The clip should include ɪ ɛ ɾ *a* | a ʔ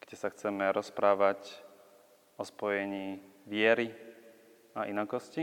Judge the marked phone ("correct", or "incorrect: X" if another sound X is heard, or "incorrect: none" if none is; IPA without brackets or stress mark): incorrect: i